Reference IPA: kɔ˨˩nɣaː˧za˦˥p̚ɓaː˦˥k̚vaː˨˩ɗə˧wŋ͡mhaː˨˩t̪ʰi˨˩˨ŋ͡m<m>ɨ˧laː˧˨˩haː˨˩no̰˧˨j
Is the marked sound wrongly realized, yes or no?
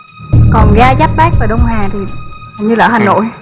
yes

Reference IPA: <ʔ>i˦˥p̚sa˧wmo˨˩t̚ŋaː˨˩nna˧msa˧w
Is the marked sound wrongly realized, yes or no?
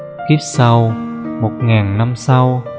yes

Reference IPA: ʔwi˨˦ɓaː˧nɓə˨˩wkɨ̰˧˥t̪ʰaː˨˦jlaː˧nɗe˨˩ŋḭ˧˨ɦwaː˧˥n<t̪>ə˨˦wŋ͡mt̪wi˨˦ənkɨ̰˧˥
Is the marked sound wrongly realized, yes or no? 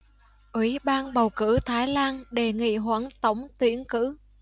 no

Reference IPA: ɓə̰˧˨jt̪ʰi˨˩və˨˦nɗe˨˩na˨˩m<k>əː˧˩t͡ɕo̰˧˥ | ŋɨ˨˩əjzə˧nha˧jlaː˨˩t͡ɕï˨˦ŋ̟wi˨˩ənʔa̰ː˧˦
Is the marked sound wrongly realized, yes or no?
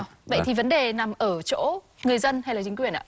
yes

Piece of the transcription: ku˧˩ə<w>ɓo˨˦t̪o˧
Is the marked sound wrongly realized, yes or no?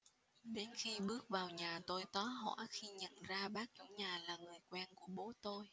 yes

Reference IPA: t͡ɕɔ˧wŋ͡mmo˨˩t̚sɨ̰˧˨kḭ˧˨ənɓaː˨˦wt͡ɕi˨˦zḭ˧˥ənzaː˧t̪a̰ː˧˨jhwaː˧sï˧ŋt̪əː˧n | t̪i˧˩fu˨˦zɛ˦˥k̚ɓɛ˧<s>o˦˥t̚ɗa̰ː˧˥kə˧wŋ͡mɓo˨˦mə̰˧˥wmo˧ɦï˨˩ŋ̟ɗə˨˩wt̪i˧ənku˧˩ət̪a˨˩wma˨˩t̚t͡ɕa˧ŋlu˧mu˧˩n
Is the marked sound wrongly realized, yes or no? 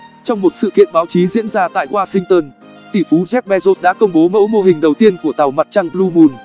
yes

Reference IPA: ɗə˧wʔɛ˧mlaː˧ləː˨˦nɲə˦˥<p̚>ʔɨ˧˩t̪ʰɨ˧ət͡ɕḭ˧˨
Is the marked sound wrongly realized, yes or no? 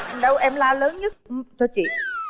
yes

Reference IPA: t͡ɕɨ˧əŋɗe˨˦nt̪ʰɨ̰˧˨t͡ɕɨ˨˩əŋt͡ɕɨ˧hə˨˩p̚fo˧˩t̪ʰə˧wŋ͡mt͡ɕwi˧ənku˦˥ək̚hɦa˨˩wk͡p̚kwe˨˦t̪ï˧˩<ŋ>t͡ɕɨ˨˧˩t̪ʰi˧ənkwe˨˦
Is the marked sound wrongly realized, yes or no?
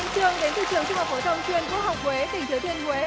no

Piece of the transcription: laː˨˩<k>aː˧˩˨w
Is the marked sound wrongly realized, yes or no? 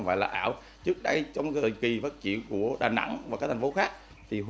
yes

